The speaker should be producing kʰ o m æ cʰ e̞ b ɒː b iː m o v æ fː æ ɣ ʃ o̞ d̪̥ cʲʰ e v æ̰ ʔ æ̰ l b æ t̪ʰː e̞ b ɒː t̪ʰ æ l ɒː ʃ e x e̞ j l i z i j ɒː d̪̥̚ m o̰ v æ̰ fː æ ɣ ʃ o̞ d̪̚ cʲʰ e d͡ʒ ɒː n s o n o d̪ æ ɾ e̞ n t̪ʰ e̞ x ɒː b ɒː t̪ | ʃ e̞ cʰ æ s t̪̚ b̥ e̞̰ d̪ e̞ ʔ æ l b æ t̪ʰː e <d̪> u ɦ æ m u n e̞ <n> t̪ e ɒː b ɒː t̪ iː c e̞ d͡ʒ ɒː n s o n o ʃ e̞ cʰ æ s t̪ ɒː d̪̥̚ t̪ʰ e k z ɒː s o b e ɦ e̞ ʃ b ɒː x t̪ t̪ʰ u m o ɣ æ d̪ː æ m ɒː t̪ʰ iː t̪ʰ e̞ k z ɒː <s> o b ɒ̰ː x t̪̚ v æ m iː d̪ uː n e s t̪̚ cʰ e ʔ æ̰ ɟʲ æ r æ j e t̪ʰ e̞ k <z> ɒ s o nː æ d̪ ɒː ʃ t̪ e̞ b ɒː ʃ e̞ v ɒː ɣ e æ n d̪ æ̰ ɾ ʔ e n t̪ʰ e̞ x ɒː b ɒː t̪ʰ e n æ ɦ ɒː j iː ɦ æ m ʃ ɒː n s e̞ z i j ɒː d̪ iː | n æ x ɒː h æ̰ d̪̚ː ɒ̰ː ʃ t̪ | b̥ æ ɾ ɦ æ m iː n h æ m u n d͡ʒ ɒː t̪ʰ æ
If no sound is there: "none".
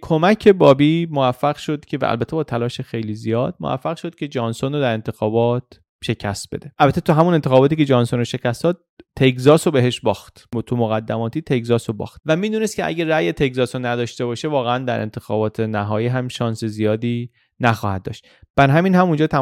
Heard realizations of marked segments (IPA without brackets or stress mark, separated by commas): t̪, n, s, z